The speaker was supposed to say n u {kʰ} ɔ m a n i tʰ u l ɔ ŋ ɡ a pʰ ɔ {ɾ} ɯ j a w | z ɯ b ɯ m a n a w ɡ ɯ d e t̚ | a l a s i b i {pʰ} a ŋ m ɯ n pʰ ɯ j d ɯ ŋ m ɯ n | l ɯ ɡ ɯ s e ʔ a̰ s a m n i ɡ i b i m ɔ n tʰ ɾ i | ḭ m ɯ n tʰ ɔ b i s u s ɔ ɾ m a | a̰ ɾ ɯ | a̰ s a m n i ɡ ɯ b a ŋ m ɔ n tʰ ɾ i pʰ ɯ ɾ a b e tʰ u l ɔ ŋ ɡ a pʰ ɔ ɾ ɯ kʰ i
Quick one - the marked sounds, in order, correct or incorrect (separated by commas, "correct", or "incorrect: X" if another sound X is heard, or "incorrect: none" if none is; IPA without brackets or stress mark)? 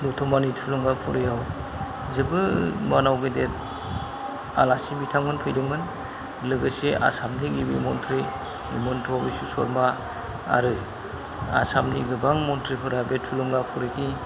incorrect: tʰ, correct, incorrect: tʰ